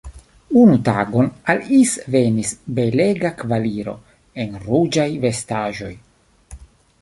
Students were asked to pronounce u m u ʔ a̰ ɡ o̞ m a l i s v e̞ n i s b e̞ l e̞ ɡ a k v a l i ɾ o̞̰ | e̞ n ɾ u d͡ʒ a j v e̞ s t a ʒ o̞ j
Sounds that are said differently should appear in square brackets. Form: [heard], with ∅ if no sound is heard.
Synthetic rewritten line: u [n] u [t] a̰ ɡ o̞ [n] a l i s v e̞ n i s b e̞ l e̞ ɡ a k v a l i ɾ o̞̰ | e̞ n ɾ u d͡ʒ a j v e̞ s t a ʒ o̞ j